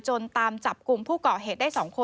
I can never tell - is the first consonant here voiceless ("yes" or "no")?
yes